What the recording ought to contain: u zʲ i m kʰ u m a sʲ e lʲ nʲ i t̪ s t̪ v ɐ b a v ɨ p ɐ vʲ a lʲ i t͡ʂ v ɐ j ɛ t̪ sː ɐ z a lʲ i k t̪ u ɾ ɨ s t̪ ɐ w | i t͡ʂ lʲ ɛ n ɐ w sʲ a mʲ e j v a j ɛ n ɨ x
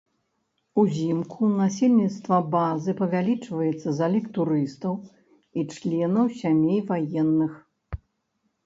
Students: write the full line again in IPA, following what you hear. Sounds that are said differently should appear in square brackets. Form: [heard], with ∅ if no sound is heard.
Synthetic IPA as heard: u zʲ i m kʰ u [n] a sʲ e lʲ nʲ i t̪ s t̪ v ɐ b a [z] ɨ p ɐ vʲ a lʲ i t͡ʂ v ɐ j ɛ t̪ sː ɐ z a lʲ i k t̪ u ɾ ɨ s t̪ ɐ w | i t͡ʂ lʲ ɛ n ɐ w sʲ a mʲ e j v a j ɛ [nː] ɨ x